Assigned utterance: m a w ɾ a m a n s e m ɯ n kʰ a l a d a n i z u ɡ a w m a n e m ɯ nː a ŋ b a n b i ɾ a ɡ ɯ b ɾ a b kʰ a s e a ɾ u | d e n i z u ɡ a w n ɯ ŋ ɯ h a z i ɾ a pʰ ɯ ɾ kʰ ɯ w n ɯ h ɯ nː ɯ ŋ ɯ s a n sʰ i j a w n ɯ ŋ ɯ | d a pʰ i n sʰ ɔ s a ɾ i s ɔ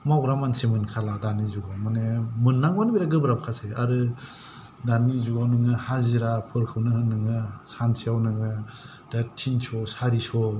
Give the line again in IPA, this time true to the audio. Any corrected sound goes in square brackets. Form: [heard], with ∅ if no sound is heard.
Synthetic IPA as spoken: m a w ɾ a m a n s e m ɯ n kʰ a l a d a n i z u ɡ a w m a n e m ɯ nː a ŋ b a n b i ɾ a ɡ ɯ b ɾ a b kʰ a s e a ɾ [ɯ] | d [a] n i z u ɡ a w n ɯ ŋ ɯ h a z i ɾ a pʰ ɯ ɾ kʰ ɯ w n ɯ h ɯ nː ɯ ŋ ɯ s a n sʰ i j a w n ɯ ŋ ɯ | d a [tʰ] i n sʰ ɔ s a ɾ i s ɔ